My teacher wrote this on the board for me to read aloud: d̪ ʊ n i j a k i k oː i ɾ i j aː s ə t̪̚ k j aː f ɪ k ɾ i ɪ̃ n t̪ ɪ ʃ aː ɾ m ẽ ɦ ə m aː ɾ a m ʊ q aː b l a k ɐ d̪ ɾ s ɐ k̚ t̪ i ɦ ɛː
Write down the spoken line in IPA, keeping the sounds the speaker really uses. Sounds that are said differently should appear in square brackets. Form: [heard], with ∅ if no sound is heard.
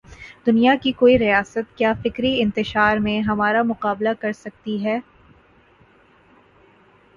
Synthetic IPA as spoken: d̪ ʊ n i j a k i k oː i ɾ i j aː s ə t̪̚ k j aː f ɪ k ɾ i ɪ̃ n t̪ ɪ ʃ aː ɾ m ẽ ɦ [ɐ] m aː ɾ a m ʊ q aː b l a k ɐ [∅] ɾ s ɐ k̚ t̪ i ɦ ɛː